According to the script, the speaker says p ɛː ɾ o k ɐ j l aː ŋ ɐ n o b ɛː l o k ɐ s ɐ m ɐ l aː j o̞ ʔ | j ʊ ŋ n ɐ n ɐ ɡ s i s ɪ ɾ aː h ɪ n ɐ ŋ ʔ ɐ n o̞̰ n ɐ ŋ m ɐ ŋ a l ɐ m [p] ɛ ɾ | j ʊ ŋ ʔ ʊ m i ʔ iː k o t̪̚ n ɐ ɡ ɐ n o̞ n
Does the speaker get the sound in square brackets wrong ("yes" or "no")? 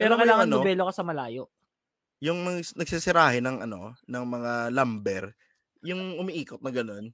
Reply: yes